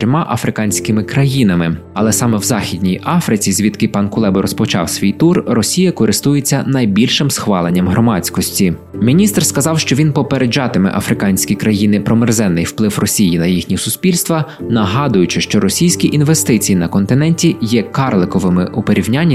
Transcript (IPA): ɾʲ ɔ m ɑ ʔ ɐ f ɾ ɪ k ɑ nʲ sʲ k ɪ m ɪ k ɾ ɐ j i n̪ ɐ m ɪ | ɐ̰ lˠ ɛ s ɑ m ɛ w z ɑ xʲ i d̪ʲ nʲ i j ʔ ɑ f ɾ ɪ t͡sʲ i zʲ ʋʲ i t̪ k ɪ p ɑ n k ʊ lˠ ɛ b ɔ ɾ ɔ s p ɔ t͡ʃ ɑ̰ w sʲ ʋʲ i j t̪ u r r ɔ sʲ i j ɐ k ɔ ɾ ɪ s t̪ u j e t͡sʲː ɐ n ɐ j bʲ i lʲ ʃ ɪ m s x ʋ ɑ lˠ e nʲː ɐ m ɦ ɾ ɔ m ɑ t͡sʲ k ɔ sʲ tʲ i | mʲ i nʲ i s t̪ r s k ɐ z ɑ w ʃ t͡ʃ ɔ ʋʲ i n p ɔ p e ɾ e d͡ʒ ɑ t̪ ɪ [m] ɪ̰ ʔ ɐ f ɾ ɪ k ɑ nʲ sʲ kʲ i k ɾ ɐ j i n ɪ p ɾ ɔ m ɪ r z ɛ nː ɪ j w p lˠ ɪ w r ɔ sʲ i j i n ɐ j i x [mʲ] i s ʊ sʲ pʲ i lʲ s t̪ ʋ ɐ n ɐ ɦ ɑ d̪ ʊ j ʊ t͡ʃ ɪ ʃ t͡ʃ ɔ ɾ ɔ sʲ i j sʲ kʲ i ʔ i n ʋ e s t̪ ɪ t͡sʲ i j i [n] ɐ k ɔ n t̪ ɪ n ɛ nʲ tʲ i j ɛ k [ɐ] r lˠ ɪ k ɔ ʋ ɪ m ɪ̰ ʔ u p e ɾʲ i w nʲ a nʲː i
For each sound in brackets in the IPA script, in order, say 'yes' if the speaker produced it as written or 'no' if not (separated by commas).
yes, no, yes, no